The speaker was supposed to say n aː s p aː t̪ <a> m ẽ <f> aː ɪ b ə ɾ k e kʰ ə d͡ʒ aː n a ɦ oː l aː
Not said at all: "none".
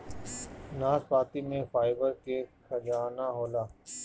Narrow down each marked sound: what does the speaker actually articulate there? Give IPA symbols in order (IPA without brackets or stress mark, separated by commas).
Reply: i, f